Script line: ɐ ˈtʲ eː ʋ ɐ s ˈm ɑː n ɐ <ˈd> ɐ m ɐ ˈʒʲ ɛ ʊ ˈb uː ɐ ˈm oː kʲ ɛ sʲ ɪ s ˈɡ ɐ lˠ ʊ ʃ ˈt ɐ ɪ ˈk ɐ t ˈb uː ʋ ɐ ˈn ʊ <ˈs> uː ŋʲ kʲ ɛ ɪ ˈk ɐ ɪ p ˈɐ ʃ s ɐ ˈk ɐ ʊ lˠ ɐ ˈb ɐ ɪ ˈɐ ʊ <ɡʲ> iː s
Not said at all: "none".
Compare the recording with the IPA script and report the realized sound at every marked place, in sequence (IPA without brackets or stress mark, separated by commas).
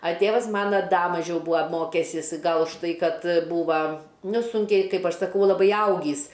d, s, ɡʲ